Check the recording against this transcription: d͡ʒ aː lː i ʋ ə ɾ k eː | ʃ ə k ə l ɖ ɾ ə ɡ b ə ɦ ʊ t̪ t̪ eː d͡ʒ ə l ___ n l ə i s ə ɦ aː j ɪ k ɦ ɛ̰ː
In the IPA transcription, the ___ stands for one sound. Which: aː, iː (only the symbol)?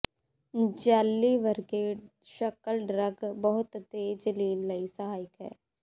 iː